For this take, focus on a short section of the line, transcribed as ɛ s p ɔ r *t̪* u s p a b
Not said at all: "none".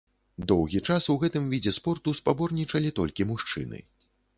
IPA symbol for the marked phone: t̪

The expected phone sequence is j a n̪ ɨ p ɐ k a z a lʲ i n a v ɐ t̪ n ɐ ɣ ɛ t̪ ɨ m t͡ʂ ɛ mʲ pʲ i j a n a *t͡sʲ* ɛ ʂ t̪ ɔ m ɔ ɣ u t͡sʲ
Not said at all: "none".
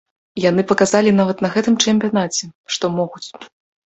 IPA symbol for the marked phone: t͡sʲ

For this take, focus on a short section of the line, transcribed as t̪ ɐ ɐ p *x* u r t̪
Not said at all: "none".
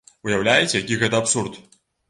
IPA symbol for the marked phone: s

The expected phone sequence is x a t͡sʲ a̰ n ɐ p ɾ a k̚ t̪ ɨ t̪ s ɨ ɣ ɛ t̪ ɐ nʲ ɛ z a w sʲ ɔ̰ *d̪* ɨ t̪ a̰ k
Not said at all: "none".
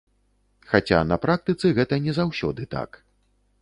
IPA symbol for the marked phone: d̪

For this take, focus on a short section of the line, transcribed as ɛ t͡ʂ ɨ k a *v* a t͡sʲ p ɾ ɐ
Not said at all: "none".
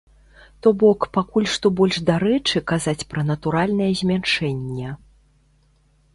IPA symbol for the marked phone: z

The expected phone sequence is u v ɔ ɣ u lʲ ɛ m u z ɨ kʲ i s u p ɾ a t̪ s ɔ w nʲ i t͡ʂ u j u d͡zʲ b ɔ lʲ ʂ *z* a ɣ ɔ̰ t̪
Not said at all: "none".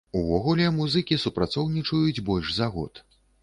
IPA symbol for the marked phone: z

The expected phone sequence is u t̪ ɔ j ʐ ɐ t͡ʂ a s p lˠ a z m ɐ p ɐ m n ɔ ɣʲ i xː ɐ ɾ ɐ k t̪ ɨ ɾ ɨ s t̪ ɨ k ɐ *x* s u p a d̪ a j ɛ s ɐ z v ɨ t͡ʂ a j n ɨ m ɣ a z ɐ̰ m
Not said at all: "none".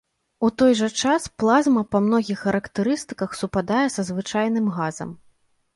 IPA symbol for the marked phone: x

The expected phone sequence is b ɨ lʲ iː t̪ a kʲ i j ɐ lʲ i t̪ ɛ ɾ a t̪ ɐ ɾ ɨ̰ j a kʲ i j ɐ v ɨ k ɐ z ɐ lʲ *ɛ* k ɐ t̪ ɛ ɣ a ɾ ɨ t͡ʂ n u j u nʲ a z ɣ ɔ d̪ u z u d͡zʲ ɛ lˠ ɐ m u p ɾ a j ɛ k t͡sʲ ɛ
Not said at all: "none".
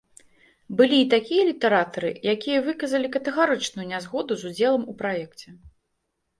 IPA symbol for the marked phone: i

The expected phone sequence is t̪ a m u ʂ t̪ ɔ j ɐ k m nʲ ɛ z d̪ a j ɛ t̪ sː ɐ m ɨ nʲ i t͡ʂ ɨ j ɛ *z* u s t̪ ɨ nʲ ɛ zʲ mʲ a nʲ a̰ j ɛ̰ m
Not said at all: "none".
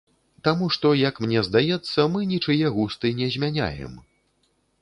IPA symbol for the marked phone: ɣ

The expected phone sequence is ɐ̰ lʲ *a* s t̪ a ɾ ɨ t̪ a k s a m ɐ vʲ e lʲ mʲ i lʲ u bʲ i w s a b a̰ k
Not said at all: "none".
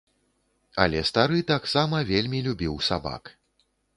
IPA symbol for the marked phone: ɛ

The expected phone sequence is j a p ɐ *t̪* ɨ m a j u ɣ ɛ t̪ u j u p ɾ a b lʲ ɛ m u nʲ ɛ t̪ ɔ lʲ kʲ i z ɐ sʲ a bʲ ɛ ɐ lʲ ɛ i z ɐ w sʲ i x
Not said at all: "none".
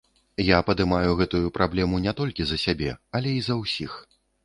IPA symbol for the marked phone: d̪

